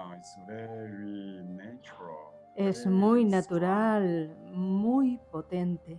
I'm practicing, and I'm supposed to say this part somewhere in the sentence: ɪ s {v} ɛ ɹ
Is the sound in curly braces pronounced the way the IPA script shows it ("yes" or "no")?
yes